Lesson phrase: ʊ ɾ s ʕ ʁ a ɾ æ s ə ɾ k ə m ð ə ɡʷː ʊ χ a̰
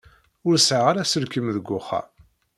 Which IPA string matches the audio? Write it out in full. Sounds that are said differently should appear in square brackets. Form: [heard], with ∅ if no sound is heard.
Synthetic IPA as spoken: ʊ ɾ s ʕ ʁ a ɾ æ s ə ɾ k ə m ð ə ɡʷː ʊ χ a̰